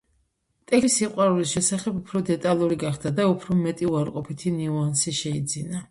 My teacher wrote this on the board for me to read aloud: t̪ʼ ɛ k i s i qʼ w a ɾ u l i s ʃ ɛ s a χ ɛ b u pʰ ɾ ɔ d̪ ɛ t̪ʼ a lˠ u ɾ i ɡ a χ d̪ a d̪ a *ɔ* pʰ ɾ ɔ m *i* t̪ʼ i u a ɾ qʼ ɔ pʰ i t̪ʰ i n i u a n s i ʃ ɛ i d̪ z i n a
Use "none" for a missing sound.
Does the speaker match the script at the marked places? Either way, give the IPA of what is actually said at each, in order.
u, ɛ

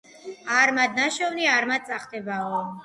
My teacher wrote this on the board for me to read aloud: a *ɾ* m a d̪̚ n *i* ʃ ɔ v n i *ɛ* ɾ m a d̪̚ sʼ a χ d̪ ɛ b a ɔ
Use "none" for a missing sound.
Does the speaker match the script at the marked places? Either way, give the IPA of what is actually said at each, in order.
ɾ, a, a

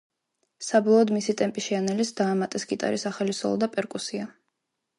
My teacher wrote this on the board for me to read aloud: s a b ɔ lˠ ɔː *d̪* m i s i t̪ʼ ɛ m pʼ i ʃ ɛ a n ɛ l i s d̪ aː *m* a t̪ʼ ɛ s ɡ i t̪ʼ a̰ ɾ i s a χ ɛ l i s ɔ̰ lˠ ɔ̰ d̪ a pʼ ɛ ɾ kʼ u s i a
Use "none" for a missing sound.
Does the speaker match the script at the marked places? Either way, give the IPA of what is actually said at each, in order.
d̪, m

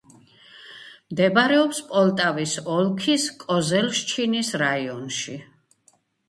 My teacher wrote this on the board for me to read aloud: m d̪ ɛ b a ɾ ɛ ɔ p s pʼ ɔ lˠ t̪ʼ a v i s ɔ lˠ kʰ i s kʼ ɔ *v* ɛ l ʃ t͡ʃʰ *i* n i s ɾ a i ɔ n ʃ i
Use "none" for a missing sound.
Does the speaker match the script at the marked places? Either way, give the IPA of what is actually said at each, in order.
z, i

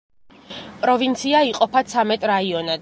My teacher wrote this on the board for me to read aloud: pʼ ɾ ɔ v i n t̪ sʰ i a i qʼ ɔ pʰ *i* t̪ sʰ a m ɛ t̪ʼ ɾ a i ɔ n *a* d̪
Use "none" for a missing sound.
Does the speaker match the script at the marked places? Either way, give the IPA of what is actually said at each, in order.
a, a

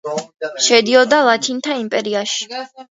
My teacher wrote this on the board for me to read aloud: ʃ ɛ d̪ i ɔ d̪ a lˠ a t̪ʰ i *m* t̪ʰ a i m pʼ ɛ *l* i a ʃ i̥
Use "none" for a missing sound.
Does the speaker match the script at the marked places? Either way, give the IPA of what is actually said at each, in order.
n, ɾ

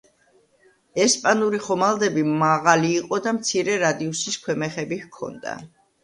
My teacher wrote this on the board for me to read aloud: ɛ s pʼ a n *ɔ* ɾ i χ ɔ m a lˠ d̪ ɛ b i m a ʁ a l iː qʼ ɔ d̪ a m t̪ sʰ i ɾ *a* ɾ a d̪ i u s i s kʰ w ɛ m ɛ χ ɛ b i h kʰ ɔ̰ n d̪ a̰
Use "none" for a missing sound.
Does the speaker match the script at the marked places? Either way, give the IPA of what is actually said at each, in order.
u, ɛ

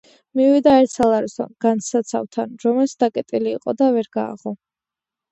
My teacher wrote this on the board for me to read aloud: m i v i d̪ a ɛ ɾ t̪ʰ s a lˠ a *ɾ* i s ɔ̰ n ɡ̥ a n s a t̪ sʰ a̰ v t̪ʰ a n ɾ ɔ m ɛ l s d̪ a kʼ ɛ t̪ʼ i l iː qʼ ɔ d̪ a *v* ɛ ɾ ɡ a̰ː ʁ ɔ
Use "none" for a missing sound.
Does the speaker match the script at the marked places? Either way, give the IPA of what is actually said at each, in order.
ɾ, v

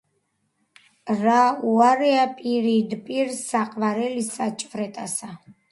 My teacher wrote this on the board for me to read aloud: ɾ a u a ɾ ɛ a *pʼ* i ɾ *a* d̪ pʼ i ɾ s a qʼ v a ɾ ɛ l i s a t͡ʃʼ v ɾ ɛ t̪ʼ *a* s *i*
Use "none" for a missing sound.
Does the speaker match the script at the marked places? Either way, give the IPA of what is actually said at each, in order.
pʼ, i, a, a

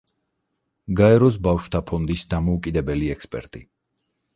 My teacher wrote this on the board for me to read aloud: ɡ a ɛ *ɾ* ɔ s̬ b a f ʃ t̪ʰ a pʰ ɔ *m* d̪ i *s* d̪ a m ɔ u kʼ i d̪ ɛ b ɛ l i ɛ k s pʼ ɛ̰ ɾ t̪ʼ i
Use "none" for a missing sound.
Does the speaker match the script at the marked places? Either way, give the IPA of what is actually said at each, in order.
ɾ, n, s

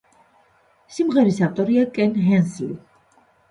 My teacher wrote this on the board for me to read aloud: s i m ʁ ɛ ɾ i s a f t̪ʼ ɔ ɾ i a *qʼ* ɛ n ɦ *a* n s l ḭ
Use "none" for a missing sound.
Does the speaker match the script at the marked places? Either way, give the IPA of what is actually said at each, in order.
kʼ, ɛ

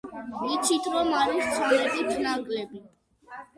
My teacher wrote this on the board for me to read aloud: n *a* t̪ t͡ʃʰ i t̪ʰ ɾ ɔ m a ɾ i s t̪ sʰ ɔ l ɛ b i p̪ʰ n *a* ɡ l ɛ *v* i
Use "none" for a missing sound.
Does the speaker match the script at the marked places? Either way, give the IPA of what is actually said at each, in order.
i, a, b

